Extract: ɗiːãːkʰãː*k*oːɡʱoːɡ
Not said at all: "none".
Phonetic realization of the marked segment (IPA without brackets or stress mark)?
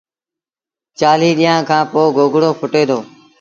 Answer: p